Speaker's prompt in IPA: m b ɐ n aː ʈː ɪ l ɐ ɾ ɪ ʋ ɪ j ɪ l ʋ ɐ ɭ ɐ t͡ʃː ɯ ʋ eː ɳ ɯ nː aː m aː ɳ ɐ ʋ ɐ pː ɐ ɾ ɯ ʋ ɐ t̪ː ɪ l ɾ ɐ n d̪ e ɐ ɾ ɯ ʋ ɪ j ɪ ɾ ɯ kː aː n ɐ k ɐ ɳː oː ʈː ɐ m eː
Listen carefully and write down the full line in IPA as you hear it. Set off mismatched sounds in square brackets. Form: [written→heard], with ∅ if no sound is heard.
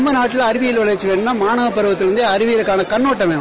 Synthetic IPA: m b ɐ n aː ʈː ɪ l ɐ ɾ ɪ ʋ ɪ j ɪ l ʋ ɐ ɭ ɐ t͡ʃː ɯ ʋ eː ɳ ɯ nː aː m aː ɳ ɐ ʋ ɐ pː ɐ ɾ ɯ ʋ ɐ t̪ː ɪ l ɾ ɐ n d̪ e ɐ ɾ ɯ ʋ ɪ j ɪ ɾ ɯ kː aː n ɐ k ɐ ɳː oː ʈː ɐ m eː